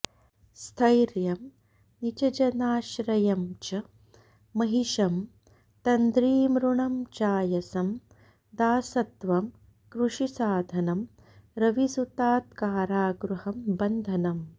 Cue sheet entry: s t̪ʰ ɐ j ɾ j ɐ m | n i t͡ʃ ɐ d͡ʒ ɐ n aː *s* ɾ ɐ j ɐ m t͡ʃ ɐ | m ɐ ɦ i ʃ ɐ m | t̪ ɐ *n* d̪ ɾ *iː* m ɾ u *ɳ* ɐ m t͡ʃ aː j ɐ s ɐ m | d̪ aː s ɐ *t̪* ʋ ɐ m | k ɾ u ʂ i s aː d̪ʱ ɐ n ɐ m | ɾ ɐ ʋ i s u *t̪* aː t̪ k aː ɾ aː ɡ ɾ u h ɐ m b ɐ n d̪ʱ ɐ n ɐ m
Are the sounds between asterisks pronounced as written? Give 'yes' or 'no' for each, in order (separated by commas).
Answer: no, yes, yes, yes, yes, yes